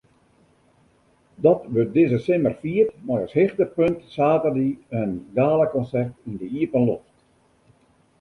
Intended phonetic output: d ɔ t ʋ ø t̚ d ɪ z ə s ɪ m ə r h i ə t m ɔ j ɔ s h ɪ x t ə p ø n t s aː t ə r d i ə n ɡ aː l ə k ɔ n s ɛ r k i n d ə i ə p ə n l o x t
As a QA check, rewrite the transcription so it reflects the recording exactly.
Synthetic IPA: d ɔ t ʋ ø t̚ d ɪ z ə s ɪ m ə r f i ə t m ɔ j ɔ s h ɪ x t ə p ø n t s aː t ə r d i ə n ɡ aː l ə k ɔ n s ɛ r t i n d ə i ə p ə n l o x t